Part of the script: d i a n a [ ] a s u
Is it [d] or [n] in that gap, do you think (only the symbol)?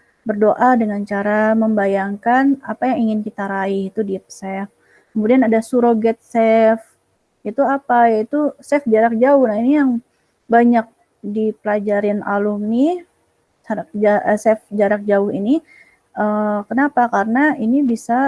d